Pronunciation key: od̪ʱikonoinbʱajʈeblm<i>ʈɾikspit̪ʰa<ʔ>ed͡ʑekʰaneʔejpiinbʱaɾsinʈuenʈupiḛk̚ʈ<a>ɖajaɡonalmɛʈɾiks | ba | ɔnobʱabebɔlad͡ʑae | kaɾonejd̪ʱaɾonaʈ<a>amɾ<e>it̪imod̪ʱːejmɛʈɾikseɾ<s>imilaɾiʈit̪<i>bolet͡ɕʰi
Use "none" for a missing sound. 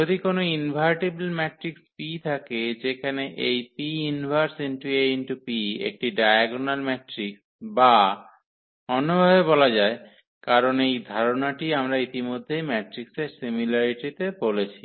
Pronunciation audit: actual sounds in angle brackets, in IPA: ɛ, k, i, i, a, s, e

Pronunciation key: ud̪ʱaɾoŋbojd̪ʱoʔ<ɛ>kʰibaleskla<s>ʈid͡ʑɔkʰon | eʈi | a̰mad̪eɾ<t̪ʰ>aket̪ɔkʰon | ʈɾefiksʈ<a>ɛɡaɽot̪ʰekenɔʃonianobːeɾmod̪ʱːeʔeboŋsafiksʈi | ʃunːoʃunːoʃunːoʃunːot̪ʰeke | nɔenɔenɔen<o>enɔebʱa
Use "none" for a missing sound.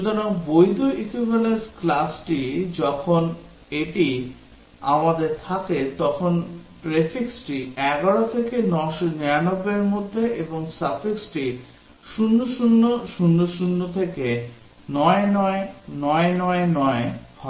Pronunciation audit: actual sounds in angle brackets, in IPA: i, s, t̪ʰ, i, ɔ

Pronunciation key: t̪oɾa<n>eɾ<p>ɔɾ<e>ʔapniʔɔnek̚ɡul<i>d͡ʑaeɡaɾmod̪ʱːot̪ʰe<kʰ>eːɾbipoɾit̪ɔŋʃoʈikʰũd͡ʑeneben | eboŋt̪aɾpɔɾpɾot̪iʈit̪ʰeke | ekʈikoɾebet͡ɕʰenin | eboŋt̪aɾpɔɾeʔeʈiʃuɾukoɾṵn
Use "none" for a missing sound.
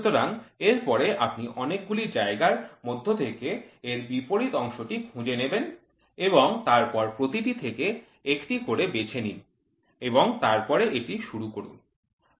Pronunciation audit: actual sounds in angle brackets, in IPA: ŋ, p, e, i, k

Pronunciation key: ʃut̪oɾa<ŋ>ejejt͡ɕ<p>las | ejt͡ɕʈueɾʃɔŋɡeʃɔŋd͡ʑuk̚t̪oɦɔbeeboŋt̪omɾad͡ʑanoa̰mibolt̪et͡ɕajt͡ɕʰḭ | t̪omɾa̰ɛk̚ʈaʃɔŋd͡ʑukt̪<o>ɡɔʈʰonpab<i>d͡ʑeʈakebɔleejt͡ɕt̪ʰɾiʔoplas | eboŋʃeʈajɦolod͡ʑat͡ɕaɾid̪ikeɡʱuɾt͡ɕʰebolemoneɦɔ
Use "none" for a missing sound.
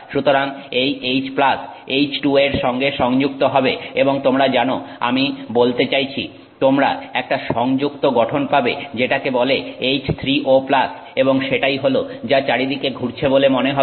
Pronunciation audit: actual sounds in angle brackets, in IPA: ŋ, p, o, e

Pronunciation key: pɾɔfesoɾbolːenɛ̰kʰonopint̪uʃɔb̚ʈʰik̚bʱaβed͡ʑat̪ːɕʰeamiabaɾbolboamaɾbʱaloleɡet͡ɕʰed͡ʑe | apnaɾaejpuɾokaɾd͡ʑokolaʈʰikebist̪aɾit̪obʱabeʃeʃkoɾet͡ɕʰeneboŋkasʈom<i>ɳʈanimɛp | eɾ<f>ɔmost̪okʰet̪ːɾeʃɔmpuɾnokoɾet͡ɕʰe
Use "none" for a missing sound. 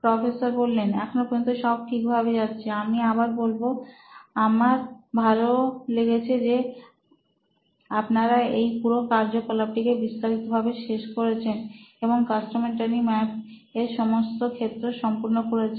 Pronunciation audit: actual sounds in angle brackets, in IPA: e, ʃ

